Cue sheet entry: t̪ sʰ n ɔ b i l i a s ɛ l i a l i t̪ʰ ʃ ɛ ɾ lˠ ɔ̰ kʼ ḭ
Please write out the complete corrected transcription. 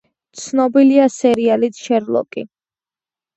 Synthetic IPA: t̪ sʰ n ɔ b i l i a s ɛ ɾ i a l i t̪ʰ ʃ ɛ ɾ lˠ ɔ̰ kʼ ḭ